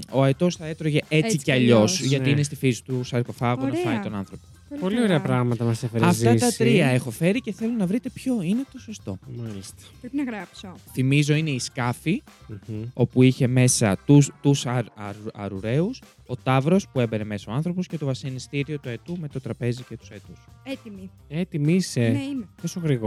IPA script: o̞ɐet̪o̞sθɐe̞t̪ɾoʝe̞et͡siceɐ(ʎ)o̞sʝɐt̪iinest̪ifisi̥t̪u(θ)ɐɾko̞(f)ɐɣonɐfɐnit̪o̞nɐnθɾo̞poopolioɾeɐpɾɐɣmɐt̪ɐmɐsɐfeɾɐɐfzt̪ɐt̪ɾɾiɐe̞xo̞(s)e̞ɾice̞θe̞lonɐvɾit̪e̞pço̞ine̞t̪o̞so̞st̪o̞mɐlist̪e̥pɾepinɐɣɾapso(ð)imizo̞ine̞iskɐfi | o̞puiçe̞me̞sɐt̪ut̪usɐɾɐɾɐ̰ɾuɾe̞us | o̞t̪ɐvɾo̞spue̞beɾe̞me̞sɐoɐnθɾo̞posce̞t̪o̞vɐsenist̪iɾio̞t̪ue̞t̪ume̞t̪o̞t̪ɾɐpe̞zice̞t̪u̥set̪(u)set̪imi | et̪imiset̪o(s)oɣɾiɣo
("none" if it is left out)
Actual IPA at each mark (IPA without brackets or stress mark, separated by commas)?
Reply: ʎ, s, f, f, θ, u, s